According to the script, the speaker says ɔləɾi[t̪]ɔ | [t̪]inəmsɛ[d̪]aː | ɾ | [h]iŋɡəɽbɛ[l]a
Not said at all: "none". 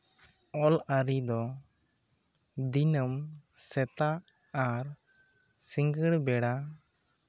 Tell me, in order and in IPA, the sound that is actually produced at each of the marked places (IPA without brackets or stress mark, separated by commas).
d̪, d̪, t̪, s, ɽ